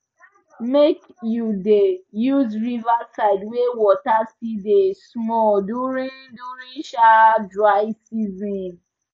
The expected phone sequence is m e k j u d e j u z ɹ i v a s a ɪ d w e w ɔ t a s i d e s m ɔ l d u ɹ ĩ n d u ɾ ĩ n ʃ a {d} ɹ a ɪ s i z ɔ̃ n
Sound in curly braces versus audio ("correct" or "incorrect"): correct